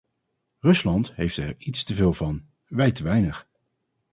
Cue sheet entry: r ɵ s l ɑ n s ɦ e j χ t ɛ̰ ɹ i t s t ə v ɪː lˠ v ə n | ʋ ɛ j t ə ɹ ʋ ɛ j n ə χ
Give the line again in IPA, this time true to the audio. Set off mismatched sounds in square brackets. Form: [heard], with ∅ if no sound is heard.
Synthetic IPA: r ɵ s l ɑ n [t] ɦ e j [f] t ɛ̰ ɹ i t s t ə v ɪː lˠ v [ɑ] n | ʋ ɛ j t ə [∅] ʋ ɛ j n ə χ

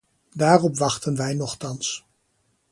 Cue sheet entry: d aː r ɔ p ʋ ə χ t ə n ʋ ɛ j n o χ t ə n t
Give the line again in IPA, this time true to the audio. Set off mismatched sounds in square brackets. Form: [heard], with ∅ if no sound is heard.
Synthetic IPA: d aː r ɔ p ʋ [ɑ] χ t ə n ʋ ɛ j n [ɔ] χ t [ɑ] n [s]

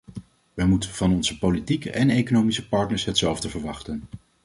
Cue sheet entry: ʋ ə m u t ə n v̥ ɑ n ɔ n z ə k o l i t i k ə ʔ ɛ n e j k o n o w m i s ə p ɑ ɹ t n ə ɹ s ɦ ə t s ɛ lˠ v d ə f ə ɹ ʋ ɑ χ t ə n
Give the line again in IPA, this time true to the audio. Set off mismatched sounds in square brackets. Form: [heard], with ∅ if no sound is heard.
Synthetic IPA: ʋ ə m u t ə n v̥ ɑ n ɔ n z ə [p] o l i t i k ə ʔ ɛ n e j k o n o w m i s ə p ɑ ɹ t n ə ɹ s ɦ ə t s ɛ lˠ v d ə [v] ə ɹ ʋ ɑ χ t ə n

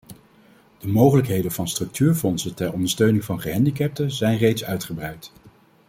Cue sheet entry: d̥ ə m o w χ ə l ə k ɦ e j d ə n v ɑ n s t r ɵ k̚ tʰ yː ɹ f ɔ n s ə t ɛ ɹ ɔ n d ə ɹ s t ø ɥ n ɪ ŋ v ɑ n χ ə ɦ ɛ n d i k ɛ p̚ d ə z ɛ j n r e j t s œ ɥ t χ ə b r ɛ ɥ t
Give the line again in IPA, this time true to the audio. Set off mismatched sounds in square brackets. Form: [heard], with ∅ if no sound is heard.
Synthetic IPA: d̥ ə m o w χ ə l ə k ɦ e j d ə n v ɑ n s t r ɵ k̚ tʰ yː ɹ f ɔ n s ə t ɛ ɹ ɔ n d ə ɹ s t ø ɥ n ɪ ŋ v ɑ n χ ə ɦ ɛ n d i k ɛ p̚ [t] ə z ɛ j n r e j t s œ ɥ t χ ə b r ɛ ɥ t

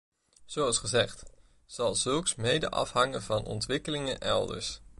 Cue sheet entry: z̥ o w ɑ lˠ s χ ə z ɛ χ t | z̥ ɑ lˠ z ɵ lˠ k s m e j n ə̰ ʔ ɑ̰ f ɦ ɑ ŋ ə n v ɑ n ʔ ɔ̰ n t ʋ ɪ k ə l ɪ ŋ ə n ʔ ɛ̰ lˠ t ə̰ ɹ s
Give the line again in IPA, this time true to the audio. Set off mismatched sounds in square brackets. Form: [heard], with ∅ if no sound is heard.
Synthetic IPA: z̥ o w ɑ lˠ s χ ə z ɛ χ t | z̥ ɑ lˠ z ɵ lˠ k s m e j [d] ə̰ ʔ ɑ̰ f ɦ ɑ ŋ ə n v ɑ n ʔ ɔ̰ n t ʋ ɪ k ə l ɪ ŋ ə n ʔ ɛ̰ lˠ [d] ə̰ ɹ s

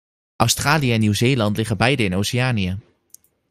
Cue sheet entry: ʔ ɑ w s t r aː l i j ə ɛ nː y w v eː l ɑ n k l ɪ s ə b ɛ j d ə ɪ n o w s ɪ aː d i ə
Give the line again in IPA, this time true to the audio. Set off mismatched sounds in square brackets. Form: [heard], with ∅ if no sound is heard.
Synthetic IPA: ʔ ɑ w s t r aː l i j ə ɛ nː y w [z] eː l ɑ n [t] l ɪ [χ] ə b ɛ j d ə ɪ n o w s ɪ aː [n] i ə

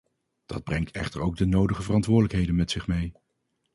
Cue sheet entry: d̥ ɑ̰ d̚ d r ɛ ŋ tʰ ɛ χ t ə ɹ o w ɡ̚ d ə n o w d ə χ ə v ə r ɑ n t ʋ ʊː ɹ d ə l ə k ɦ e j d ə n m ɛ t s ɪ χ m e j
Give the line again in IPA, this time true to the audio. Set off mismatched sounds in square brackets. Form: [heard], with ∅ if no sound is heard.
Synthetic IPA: d̥ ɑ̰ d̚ [b] r ɛ ŋ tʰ ɛ χ t ə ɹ o w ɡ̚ d ə n o w d ə χ ə v ə r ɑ n t ʋ ʊː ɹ d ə l ə k ɦ e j d ə n m ɛ t s ɪ χ m e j

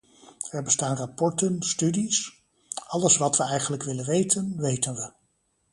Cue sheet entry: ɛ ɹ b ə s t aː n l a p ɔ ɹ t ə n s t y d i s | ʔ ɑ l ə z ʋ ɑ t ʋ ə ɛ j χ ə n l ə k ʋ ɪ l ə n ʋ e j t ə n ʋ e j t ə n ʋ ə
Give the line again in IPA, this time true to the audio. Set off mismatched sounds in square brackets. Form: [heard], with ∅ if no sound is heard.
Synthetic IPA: ɛ ɹ b ə s t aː n [r] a p ɔ ɹ t ə n s t y d i s | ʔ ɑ l ə [s] ʋ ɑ t ʋ ə ɛ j χ ə n l ə k ʋ ɪ l ə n ʋ e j t ə n ʋ e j t ə n ʋ ə

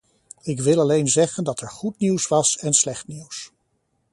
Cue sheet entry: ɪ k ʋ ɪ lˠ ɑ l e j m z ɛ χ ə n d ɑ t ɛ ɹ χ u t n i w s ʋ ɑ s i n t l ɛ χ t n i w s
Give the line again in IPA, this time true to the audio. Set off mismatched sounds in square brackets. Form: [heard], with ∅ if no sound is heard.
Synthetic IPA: ɪ k ʋ ɪ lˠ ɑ l e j [n] z ɛ χ ə n d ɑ t ɛ ɹ χ u t n i w s ʋ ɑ s [ɛ] n [s] l ɛ χ t n i w s

